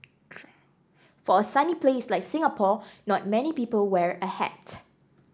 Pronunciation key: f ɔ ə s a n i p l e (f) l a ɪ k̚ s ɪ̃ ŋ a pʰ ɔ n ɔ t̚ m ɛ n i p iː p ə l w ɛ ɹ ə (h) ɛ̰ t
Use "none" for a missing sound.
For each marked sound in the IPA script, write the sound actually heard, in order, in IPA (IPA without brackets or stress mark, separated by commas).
s, h